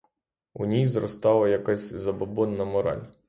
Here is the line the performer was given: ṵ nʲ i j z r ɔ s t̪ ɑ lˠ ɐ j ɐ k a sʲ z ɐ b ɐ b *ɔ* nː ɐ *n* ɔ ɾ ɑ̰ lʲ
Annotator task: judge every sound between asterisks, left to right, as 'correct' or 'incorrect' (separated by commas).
correct, incorrect